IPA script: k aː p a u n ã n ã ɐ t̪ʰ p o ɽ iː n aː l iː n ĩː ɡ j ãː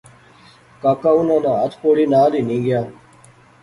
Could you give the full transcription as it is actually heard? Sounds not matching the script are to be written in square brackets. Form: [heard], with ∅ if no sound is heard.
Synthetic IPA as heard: k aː [k] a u n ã n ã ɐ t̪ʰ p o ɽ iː n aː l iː n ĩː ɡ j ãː